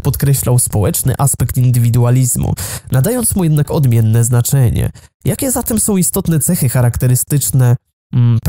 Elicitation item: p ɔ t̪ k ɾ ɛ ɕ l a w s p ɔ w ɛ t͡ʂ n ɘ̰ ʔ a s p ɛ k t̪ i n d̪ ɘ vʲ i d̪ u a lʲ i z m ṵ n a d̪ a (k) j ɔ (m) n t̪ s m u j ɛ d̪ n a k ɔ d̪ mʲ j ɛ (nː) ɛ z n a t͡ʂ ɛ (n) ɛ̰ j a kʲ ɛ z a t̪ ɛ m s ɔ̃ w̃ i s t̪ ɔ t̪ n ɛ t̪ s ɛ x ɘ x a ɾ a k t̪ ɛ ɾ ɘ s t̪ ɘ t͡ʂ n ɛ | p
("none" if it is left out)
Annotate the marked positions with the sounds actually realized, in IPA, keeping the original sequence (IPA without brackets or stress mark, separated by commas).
none, none, nː, ɲ